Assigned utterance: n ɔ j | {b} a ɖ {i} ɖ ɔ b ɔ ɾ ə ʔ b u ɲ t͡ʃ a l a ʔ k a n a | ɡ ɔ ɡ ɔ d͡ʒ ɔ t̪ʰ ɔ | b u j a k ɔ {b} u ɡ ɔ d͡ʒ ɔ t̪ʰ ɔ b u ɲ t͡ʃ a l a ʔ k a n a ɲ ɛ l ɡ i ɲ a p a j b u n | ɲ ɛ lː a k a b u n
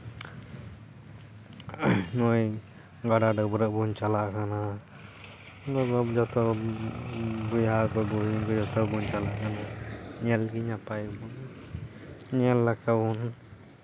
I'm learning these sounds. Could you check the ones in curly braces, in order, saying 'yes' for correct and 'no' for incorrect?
no, no, yes

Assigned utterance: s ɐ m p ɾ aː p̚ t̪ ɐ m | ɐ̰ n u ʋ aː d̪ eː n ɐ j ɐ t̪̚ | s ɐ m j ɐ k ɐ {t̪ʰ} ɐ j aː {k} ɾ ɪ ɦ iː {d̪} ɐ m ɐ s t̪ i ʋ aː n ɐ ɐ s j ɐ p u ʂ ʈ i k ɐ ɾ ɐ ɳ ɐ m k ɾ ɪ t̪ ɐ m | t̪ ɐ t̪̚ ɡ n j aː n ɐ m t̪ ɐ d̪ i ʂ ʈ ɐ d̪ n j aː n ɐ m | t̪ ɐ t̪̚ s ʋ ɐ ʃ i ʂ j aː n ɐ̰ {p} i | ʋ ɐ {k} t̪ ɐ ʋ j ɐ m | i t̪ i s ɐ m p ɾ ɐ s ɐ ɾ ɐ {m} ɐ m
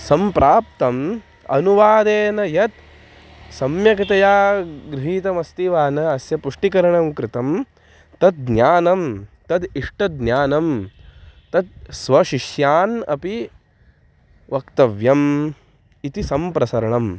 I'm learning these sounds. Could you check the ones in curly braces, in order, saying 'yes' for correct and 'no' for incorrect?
no, no, no, yes, yes, no

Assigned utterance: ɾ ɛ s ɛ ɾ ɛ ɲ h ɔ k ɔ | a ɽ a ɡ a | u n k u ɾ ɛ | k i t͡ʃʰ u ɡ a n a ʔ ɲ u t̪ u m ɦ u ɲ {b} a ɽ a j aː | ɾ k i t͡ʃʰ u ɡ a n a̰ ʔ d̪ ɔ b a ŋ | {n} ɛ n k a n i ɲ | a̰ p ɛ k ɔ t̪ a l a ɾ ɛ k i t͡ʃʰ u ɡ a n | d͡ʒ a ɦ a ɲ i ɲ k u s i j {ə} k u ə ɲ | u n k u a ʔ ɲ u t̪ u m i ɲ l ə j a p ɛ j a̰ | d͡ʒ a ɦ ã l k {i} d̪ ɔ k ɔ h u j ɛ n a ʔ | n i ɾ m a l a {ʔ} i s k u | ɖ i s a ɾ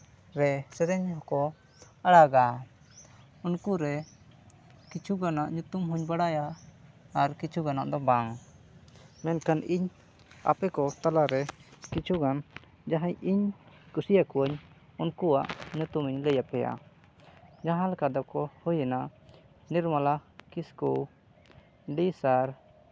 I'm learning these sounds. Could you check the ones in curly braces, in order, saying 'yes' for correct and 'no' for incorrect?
yes, no, no, no, no

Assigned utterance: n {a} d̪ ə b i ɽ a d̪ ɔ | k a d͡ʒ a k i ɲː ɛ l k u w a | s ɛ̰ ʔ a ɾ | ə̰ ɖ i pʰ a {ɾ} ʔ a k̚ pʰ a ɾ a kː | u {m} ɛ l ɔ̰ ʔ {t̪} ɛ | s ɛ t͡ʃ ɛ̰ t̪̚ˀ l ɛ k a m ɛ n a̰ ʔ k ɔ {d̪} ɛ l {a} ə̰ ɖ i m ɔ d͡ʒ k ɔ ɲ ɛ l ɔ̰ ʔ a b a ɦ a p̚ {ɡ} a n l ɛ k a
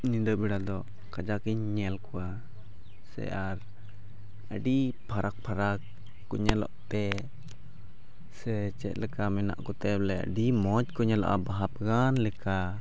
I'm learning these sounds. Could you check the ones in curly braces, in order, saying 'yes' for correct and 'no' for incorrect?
no, yes, no, yes, no, no, yes

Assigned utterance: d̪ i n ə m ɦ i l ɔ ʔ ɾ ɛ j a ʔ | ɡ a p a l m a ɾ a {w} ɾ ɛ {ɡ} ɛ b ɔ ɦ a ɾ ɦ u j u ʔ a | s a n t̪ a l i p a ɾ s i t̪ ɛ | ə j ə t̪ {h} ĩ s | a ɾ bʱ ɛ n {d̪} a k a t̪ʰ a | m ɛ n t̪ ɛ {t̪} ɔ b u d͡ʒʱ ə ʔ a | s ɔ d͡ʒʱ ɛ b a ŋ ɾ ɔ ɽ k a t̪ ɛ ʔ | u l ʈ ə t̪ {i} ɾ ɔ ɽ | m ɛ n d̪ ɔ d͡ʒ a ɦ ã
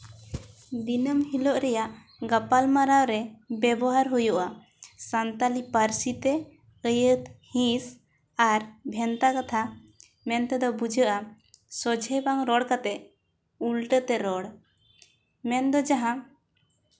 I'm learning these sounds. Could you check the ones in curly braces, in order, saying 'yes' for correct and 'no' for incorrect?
yes, no, yes, no, no, no

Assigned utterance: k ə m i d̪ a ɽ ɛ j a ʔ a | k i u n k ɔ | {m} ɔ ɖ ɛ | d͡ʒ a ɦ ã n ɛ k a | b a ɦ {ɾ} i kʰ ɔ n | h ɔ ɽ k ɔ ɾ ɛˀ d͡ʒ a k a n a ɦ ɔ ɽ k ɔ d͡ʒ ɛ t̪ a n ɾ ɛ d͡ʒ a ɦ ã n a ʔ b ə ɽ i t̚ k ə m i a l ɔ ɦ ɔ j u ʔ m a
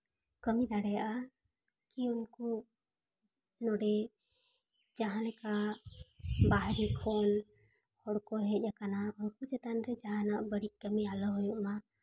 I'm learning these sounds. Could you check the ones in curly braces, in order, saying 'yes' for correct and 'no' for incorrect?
no, yes

